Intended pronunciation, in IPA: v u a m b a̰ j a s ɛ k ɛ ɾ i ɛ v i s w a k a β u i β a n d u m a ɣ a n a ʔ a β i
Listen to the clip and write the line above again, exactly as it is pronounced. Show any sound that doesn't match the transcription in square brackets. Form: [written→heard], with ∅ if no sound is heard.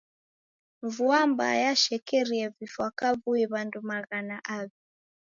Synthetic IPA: v u a m b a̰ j a [s→ʃ] ɛ k ɛ ɾ i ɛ v i [s→f] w a k a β u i β a n d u m a ɣ a n a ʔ a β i